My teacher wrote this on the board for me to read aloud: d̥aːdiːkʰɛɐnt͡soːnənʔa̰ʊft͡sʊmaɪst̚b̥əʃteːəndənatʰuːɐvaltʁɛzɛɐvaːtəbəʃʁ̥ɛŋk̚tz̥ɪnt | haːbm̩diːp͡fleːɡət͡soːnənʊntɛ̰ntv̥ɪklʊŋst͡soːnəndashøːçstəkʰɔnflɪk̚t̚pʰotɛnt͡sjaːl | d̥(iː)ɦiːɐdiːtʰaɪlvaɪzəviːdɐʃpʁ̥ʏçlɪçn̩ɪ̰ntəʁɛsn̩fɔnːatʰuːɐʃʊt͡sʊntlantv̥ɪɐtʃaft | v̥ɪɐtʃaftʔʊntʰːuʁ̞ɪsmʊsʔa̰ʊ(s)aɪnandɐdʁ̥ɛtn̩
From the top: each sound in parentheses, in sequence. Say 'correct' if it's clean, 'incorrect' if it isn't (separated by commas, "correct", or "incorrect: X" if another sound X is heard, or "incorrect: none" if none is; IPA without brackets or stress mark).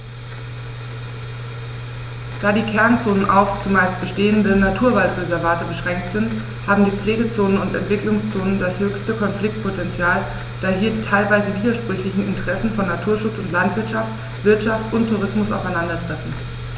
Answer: incorrect: aː, incorrect: f